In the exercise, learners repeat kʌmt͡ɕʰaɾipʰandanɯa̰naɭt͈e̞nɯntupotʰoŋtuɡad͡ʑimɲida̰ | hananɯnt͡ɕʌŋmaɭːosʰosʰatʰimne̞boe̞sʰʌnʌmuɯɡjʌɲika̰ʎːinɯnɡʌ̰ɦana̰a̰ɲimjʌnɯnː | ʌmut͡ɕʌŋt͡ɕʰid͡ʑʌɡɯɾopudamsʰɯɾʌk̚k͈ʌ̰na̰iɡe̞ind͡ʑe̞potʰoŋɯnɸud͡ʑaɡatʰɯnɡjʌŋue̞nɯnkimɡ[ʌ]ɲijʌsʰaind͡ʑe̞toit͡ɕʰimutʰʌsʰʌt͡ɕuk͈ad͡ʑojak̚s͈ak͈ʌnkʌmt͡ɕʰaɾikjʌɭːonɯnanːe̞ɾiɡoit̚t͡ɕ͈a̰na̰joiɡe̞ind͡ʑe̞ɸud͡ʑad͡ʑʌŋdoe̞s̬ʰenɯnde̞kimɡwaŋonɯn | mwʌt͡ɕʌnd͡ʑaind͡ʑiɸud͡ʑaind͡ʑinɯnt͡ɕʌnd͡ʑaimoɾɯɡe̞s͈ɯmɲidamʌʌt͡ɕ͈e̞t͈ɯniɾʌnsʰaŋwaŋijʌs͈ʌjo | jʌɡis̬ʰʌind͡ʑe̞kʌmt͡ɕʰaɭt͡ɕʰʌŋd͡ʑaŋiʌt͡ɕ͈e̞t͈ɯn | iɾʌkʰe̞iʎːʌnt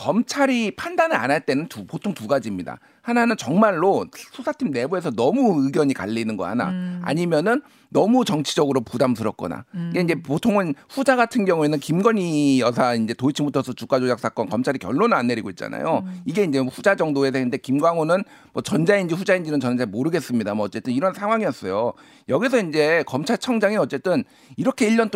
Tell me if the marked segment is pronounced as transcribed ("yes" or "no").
yes